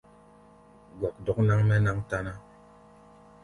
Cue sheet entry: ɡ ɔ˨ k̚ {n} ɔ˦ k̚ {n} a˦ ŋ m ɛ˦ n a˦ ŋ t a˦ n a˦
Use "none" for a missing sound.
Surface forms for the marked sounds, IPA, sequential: d, n

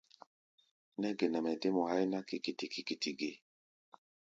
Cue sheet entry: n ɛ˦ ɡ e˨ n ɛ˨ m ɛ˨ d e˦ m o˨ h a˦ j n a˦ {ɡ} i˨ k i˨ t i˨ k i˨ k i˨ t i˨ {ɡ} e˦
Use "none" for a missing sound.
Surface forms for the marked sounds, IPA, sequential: k, ɡ

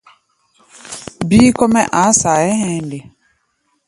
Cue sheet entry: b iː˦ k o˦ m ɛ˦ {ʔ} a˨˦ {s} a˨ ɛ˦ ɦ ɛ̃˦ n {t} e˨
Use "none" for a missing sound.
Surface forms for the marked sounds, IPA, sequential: ʔ, s, d

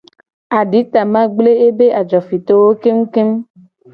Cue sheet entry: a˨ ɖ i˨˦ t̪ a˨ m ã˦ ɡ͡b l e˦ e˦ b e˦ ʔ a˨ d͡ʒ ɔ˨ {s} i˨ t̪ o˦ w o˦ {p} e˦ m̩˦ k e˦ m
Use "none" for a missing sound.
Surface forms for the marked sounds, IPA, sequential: f, k

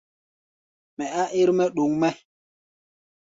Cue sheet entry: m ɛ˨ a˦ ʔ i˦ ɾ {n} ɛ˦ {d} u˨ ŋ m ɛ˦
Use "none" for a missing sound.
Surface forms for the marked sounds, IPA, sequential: m, ɗ

